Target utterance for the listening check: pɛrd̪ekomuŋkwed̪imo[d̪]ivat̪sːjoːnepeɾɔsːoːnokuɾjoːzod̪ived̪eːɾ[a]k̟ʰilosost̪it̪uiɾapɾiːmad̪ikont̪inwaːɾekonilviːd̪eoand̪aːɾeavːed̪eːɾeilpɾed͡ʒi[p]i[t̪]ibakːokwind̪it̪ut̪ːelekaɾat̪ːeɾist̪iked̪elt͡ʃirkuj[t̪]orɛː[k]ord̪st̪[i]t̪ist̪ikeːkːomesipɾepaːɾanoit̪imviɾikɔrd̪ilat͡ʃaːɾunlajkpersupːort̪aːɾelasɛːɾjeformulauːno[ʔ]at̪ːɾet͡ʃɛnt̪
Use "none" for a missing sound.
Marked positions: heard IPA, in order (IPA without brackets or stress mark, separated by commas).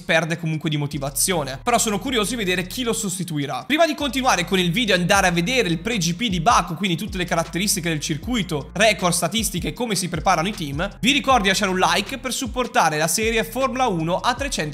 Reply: t̪, e, p, d̪, t̪, k, a, ʔ